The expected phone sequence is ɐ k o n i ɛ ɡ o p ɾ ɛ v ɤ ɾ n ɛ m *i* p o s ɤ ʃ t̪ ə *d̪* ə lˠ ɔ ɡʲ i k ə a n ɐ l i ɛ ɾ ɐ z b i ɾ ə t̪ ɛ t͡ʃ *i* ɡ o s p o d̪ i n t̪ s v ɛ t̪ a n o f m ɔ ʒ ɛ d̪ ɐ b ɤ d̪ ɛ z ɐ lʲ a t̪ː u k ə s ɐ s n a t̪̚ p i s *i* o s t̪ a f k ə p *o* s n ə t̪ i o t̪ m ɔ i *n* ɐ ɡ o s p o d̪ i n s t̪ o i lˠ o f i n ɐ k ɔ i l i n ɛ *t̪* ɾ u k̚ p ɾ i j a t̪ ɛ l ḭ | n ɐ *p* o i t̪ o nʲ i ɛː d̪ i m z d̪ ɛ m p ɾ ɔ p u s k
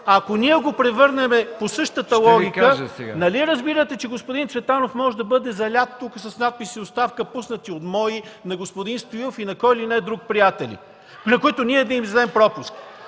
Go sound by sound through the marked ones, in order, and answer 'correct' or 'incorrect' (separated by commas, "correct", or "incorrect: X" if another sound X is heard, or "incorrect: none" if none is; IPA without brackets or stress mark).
incorrect: ɛ, incorrect: t̪, incorrect: ɛ, correct, incorrect: u, correct, incorrect: d̪, incorrect: k